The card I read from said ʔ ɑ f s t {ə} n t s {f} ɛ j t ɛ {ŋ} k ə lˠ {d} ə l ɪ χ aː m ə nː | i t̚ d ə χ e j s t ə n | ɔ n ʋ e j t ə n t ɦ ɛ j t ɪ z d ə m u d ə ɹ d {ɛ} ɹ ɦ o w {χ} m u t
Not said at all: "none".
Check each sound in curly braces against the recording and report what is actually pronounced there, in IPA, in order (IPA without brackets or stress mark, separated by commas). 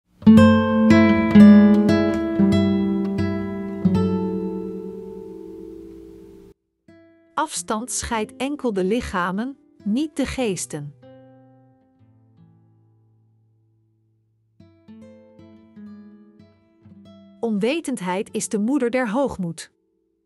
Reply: ɑ, χ, ŋ, d, ɛ, χ